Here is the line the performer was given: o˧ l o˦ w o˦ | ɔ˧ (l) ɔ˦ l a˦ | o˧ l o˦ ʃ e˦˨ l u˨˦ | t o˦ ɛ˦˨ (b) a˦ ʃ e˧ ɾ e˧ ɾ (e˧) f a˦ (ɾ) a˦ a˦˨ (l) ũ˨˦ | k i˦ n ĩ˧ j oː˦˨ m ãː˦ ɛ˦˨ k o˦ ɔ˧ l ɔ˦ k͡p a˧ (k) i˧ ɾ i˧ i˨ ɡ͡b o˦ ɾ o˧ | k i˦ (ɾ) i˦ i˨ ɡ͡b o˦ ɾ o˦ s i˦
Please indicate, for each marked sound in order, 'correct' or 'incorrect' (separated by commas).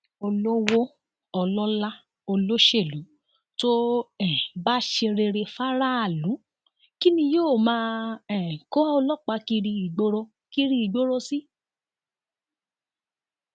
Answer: correct, correct, correct, correct, correct, correct, correct